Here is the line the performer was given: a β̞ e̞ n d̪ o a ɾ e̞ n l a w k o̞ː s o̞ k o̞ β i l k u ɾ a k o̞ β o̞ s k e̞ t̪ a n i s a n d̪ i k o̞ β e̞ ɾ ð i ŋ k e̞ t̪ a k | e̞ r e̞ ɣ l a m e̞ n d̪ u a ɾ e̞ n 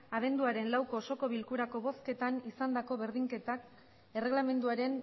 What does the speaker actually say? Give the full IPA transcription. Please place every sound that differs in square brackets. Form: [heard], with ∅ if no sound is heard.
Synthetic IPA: a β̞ e̞ n d̪ [u] a ɾ e̞ n l a w k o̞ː s o̞ k o̞ β i l k u ɾ a k o̞ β o̞ s k e̞ t̪ a n i s a n d̪ [a] k o̞ β e̞ ɾ ð i ŋ k e̞ t̪ a k | e̞ r e̞ ɣ l a m e̞ n d̪ u a ɾ e̞ n